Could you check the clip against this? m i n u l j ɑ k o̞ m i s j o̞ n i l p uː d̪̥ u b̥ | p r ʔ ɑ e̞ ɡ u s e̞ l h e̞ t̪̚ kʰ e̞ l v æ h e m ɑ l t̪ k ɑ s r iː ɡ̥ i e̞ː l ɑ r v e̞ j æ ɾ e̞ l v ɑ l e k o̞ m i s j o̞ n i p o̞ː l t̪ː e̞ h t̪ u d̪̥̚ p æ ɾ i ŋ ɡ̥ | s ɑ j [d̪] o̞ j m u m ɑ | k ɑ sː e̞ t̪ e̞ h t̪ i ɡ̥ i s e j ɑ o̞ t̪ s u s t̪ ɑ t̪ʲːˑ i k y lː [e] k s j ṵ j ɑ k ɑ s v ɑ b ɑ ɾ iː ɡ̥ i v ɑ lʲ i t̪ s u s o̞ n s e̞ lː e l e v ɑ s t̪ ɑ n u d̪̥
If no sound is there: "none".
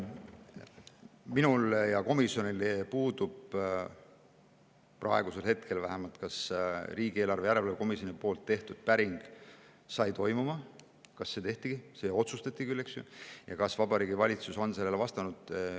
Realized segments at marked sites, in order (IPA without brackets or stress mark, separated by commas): t̪, e